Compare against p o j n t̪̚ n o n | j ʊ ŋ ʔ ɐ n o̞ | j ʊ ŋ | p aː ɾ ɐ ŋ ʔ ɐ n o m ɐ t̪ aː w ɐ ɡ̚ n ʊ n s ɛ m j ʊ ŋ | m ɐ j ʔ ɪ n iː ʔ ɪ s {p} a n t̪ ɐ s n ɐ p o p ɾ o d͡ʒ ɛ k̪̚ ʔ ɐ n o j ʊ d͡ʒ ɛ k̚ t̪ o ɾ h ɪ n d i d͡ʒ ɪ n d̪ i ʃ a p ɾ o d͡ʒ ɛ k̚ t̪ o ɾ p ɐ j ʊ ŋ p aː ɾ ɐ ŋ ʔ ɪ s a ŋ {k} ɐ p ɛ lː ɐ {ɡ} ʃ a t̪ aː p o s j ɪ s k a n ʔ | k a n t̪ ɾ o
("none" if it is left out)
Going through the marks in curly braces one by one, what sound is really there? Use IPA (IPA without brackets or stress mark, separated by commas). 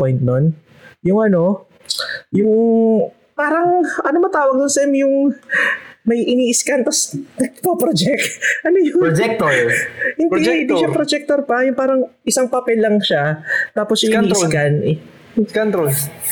k, p, ŋ